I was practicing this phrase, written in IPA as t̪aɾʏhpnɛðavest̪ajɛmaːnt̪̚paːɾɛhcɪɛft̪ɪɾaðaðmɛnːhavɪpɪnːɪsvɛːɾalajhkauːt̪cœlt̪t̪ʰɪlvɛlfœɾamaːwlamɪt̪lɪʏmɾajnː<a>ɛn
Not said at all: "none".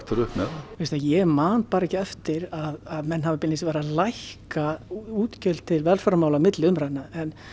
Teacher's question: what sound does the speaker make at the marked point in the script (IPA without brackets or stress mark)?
a